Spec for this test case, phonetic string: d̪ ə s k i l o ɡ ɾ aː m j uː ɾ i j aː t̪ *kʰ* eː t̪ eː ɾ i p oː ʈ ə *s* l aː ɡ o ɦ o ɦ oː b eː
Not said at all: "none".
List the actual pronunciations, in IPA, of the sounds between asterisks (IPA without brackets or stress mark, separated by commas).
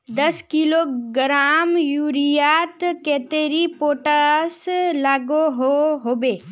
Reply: k, s